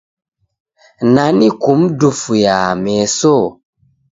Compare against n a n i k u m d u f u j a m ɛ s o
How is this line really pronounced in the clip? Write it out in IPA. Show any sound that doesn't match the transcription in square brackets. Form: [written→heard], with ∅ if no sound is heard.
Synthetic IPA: n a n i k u m d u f u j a m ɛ s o